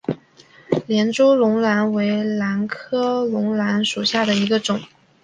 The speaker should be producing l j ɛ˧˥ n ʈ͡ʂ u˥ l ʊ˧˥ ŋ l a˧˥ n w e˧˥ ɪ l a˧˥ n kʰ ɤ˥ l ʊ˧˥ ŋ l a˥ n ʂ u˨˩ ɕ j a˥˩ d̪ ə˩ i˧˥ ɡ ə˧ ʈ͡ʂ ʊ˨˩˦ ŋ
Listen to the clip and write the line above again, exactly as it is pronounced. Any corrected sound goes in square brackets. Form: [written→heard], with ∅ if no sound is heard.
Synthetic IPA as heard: l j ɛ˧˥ n ʈ͡ʂ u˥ l ʊ˧˥ ŋ l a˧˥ n w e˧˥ ɪ l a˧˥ n kʰ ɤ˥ l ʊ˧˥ ŋ l [a˥→a˧˥] n ʂ u˨˩ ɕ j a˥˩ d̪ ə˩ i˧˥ ɡ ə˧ ʈ͡ʂ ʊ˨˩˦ ŋ